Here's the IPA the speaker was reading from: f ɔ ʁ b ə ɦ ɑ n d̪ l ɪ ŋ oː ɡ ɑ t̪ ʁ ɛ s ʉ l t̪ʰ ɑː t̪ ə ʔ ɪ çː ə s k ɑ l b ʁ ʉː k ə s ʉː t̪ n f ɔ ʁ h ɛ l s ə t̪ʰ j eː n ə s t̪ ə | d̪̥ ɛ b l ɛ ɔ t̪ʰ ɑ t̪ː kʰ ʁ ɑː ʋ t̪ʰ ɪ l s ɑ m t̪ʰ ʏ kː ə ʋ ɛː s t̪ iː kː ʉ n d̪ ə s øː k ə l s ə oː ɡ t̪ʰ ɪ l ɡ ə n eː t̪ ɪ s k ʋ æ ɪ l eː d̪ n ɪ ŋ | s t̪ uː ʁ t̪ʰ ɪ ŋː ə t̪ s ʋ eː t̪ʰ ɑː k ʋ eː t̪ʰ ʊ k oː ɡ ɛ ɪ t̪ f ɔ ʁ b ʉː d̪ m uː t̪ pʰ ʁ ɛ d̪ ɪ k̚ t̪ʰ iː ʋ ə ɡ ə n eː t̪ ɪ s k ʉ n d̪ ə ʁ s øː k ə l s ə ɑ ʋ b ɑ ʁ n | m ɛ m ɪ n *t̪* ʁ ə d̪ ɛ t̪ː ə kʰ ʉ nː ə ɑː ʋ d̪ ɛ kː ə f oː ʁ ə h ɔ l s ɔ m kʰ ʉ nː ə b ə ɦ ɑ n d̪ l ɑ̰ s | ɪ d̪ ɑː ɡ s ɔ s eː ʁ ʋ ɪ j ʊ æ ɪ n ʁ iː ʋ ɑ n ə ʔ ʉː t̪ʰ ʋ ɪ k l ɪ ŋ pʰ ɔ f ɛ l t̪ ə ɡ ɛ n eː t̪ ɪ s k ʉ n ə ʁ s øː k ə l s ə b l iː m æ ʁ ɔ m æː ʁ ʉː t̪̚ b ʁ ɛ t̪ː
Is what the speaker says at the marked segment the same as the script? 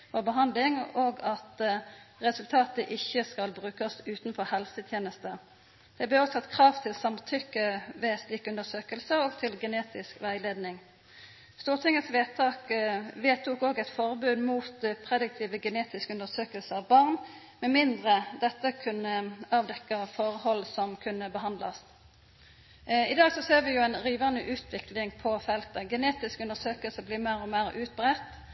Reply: no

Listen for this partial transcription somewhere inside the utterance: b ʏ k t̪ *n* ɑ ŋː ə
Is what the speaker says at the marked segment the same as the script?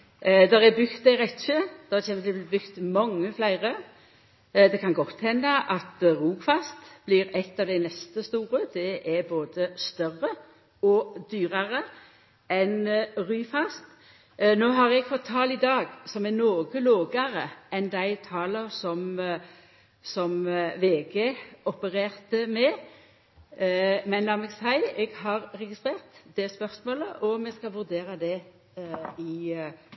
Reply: no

